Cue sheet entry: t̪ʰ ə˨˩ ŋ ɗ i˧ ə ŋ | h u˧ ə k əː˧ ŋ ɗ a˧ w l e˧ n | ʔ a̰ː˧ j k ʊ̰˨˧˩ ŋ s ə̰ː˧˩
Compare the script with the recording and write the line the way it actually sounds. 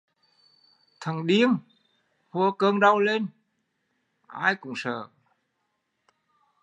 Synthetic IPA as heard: t̪ʰ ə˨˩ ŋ ɗ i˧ ə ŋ | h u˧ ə k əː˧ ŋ ɗ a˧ w l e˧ n | ʔ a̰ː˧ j k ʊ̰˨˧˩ ŋ͡m s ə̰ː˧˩